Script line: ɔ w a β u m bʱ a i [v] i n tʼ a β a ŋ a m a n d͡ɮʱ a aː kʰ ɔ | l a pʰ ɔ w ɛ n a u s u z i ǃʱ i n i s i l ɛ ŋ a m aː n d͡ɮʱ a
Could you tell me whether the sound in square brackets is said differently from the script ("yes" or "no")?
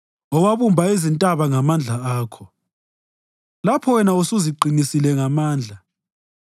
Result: yes